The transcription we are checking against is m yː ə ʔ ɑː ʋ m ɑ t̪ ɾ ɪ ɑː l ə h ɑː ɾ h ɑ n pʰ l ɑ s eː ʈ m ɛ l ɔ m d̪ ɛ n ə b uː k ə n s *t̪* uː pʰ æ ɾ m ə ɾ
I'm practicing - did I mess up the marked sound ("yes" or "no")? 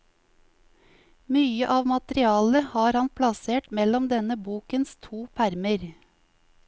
yes